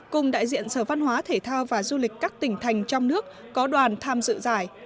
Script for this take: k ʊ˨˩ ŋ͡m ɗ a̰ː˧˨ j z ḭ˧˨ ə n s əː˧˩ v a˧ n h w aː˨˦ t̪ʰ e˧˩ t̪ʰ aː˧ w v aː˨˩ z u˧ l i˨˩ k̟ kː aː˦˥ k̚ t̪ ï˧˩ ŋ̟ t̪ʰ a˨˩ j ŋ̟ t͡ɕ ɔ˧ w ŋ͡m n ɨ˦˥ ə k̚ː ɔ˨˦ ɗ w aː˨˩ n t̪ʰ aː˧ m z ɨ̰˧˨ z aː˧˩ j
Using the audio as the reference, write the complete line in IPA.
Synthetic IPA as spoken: k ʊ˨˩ ŋ͡m ɗ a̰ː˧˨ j z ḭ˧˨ ə n s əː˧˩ v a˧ n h w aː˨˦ t̪ʰ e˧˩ t̪ʰ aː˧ w v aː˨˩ z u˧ l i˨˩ k̟ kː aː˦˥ k̚ t̪ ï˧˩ ŋ̟ t̪ʰ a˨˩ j ŋ̟ t͡ɕ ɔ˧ w ŋ͡m n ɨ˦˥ ə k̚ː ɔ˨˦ ɗ w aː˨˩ n t̪ʰ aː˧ m z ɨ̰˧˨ z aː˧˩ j

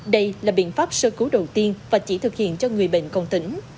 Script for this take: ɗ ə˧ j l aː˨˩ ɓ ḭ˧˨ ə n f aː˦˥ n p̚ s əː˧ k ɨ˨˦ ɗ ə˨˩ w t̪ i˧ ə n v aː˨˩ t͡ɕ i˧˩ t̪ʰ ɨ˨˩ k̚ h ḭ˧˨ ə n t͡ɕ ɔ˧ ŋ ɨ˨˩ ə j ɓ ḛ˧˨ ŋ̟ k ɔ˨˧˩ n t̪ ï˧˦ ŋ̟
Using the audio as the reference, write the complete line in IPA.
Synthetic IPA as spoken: ɗ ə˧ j l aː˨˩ ɓ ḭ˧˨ ə n f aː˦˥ p̚ s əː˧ k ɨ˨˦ ɗ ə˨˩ w t̪ i˧ ə n v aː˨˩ t͡ɕ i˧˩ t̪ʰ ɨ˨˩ k̚ h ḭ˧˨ ə n t͡ɕ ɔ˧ ŋ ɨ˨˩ ə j ɓ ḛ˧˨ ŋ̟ k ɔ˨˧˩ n t̪ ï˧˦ ŋ̟

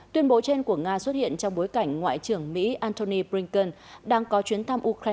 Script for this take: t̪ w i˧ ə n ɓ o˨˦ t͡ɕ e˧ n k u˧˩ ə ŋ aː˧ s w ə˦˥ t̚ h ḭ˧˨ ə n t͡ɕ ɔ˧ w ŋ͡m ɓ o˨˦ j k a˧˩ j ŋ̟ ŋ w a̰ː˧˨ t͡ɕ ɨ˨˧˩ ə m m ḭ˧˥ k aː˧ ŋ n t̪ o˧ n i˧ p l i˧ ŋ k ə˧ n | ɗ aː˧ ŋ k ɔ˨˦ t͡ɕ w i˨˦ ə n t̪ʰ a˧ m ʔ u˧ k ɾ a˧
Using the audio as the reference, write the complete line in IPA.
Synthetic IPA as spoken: t̪ w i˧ ə n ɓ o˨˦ t͡ɕ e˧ n k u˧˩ ə ŋ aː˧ s w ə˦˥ t̚ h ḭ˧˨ ə n t͡ɕ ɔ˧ w ŋ͡m ɓ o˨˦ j k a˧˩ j ŋ̟ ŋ w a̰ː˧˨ t͡ɕ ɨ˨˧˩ ə ŋ m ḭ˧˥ ʔ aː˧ n t̪ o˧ n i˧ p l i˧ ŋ k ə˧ n | ɗ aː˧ ŋ k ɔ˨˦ t͡ɕ w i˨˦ ə n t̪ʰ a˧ m ʔ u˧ k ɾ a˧

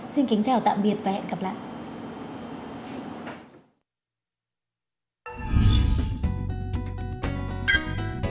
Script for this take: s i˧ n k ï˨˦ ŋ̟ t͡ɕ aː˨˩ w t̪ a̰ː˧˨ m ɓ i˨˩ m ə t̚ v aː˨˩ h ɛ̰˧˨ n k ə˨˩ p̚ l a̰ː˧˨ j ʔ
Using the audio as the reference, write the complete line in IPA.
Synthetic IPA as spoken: s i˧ n k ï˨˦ ŋ̟ t͡ɕ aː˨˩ w t̪ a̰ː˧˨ m ɓ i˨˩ ə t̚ v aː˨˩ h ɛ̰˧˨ n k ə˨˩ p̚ l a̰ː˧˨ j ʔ

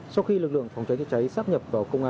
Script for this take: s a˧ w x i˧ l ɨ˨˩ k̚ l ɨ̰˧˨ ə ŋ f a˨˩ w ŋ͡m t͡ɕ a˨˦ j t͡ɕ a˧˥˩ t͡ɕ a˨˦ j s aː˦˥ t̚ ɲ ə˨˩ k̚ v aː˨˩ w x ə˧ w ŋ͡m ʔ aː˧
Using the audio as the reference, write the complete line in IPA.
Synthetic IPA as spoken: s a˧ w x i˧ l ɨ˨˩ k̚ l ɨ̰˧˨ ə ŋ f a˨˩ w ŋ͡m t͡ɕ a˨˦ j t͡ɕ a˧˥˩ t͡ɕ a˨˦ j s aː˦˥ p̚ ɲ ə˨˩ p̚ v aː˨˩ w k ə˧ w ŋ͡m ʔ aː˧

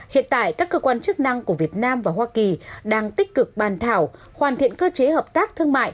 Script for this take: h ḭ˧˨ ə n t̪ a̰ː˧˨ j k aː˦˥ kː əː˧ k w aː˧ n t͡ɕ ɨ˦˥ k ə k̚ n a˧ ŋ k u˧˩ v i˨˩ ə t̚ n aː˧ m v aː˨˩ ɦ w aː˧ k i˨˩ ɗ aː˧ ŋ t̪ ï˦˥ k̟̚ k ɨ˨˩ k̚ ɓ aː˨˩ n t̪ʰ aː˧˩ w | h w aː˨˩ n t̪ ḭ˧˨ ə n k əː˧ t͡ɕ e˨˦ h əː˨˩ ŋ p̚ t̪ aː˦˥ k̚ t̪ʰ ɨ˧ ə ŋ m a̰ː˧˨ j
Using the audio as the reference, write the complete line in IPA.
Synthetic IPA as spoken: h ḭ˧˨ ə n t̪ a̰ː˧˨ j k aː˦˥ kː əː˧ k w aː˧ n t͡ɕ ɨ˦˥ ə k̚ n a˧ ŋ k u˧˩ v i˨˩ ə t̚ n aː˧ m v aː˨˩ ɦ w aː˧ k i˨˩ ɗ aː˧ ŋ t̪ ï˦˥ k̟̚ k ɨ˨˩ k̚ ɓ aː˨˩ n t̪ʰ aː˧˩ w | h w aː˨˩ n t̪ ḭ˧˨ ə n k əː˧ t͡ɕ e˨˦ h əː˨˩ p̚ t̪ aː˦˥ k̚ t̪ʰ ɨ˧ ə ŋ m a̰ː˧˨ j

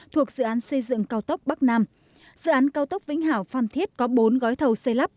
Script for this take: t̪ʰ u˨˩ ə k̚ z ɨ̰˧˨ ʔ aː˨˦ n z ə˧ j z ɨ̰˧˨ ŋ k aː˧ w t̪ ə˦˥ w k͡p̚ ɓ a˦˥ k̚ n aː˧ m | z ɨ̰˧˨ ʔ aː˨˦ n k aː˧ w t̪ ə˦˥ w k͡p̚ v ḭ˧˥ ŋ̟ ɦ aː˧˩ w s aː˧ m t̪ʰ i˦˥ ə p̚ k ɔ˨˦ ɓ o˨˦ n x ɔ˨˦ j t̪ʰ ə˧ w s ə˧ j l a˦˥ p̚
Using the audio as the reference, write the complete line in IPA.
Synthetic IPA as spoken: t̪ʰ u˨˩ ə k̚ z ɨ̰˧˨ ʔ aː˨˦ n s ə˧ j z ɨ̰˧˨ ŋ k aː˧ w t̪ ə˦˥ w k͡p̚ ɓ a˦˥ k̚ n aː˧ m | z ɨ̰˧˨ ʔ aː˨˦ n k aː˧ w t̪ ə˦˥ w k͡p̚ v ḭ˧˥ ŋ̟ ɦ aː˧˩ w f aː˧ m t̪ʰ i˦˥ ə t̚ k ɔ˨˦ ɓ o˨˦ n ɣ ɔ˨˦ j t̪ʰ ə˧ w s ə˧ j l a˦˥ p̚

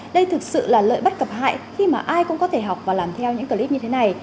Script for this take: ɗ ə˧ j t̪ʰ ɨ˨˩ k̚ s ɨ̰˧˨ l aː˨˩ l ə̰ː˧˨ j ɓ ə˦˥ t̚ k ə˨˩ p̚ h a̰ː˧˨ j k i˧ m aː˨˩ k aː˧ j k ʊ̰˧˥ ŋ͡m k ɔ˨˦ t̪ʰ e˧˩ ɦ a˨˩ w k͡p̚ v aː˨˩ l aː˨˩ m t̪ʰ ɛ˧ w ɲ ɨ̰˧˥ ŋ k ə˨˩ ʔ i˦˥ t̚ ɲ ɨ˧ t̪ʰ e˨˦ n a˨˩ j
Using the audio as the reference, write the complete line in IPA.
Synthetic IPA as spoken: ɗ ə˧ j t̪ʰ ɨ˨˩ k̚ s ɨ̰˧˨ l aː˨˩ l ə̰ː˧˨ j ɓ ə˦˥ t̚ k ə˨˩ p̚ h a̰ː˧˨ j x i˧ m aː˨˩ ʔ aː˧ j k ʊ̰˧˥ ŋ͡m k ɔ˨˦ t̪ʰ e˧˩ ɦ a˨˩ w k͡p̚ v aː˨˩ l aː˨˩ m t̪ʰ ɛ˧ w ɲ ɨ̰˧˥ ŋ k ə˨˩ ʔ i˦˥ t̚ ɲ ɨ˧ t̪ʰ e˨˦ n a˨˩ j

